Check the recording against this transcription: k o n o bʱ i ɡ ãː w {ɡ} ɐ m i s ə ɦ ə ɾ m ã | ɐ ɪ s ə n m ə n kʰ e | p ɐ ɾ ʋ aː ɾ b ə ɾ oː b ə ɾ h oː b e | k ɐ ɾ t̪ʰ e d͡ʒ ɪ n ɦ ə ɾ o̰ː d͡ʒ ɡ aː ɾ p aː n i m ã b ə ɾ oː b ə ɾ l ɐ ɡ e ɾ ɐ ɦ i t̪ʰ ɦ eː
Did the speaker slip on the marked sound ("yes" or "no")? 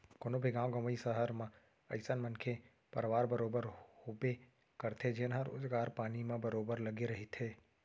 no